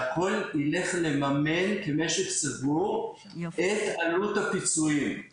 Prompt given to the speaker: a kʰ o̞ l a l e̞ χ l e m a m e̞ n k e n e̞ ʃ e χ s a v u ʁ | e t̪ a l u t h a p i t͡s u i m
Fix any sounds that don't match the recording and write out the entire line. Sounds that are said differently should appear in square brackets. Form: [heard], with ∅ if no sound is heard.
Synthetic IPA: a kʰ o̞ l [i] l e̞ χ l e m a m e̞ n k e [m] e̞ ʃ e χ s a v u ʁ | e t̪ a l u t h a p i t͡s u i m